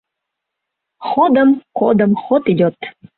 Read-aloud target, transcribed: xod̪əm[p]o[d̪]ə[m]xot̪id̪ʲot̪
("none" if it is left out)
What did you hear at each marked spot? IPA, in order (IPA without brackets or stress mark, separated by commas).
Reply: k, d̪, m